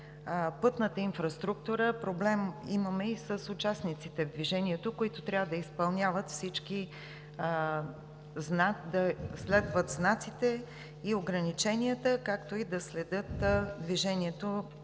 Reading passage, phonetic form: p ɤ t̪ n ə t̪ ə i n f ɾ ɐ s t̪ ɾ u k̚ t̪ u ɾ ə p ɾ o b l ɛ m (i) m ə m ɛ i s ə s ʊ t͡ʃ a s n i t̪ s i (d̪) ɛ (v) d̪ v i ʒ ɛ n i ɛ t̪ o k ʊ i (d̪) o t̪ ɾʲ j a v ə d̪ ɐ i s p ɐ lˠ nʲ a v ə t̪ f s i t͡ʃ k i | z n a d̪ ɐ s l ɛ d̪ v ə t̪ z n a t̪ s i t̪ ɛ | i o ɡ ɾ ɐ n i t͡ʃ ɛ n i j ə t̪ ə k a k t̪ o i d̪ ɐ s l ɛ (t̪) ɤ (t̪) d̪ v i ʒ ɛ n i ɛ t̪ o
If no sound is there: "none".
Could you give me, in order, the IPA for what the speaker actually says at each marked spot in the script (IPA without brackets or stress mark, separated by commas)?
i, t̪, v, t̪, d̪, t̪